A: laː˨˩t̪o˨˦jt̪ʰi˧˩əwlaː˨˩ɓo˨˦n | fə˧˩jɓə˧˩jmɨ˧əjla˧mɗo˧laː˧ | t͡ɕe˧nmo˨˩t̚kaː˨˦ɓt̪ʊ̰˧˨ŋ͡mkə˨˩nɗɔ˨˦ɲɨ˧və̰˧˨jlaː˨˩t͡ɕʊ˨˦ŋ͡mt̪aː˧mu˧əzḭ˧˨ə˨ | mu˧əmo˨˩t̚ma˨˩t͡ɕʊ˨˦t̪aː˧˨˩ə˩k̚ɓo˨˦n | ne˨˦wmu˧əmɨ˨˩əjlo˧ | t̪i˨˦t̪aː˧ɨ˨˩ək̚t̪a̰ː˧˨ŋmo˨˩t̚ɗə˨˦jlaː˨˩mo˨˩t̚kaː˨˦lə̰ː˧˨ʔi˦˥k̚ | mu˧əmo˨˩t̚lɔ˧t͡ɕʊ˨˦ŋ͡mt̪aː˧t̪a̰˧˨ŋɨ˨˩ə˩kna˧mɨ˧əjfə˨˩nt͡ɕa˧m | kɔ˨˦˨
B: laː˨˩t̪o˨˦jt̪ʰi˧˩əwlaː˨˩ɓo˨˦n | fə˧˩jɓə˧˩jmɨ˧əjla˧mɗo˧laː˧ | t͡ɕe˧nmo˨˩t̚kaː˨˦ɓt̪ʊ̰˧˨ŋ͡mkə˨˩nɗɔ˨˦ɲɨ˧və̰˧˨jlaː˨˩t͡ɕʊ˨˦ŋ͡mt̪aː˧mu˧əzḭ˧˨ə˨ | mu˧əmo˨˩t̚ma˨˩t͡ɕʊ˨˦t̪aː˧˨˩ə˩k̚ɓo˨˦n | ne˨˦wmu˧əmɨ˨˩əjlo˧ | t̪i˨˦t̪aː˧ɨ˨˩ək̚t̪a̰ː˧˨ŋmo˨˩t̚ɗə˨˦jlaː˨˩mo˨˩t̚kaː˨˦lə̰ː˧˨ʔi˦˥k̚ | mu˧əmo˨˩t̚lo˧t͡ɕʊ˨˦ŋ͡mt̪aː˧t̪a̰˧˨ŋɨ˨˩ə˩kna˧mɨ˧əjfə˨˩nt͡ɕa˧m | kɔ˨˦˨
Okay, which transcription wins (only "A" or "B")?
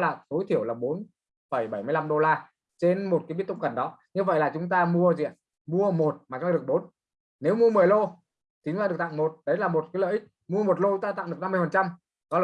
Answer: B